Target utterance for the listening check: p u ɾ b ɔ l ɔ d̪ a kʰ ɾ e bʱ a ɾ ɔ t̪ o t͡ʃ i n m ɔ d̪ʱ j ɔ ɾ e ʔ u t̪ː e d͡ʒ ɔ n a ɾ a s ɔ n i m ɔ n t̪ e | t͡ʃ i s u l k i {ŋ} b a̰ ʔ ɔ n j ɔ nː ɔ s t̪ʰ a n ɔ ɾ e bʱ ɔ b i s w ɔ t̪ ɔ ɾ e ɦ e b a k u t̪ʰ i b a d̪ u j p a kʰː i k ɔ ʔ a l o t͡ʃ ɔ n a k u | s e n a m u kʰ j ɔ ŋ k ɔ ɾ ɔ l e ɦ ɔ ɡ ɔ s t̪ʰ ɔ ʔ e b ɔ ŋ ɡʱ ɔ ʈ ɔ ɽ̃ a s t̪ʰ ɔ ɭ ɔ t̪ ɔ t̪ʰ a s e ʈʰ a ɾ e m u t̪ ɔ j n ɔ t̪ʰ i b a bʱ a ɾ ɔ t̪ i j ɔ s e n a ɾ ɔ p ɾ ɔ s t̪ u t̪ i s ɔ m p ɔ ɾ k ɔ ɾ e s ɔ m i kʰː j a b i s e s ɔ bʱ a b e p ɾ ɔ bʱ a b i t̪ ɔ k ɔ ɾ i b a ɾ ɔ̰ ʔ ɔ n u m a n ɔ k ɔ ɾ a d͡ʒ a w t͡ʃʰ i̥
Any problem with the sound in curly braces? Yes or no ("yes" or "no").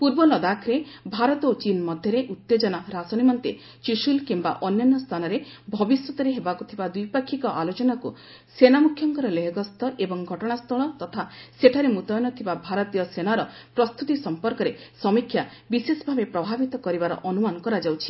yes